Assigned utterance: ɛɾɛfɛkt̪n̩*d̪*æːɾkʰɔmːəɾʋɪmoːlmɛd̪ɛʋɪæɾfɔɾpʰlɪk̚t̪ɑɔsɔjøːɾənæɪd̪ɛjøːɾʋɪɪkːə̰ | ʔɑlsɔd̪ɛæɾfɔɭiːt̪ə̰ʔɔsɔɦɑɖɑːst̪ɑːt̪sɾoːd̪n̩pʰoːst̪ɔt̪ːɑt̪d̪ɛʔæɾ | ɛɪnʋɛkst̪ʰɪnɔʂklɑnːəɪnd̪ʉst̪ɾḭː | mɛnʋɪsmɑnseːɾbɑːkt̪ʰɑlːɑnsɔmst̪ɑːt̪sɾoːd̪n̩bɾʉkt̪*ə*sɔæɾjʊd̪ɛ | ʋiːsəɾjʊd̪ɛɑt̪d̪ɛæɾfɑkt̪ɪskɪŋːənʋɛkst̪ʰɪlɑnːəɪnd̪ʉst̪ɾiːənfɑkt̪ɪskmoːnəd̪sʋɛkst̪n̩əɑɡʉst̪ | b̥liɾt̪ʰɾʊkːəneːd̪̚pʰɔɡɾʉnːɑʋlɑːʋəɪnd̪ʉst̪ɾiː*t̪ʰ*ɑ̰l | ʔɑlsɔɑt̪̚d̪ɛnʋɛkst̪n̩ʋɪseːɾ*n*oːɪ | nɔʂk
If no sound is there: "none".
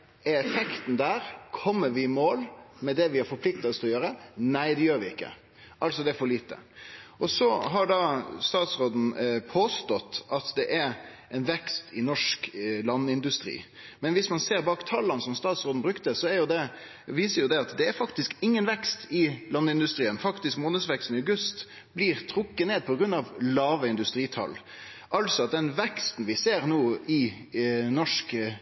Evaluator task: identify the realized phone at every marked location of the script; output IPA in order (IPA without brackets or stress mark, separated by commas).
d̪, ə, t̪ʰ, n